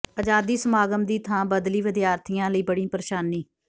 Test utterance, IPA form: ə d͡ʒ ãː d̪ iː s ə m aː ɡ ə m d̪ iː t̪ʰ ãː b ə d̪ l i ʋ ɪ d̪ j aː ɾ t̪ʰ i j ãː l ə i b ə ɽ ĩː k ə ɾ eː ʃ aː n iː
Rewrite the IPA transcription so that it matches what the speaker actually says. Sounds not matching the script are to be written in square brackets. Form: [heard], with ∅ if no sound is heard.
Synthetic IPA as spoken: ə d͡ʒ [aː] d̪ iː s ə m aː ɡ ə m d̪ iː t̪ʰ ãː b ə d̪ l [iː] ʋ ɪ d̪ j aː ɾ t̪ʰ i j ãː l ə [iː] b ə ɽ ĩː [p] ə ɾ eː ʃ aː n iː